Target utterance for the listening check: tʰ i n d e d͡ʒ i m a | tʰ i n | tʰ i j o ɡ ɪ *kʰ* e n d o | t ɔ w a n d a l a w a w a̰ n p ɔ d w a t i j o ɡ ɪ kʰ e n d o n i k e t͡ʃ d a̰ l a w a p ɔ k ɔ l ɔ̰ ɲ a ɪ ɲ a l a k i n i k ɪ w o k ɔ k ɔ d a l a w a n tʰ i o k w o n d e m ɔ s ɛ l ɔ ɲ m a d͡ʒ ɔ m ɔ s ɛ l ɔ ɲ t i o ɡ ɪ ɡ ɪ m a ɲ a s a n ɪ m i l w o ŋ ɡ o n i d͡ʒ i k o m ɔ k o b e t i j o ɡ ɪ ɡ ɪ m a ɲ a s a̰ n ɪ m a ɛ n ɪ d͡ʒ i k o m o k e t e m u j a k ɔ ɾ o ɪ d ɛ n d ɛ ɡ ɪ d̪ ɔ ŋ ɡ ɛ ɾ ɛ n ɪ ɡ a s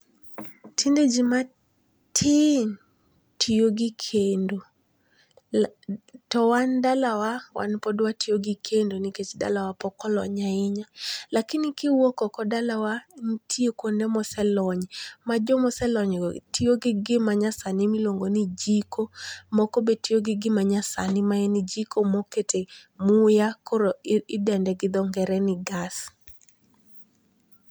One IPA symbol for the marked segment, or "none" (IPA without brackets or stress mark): kʰ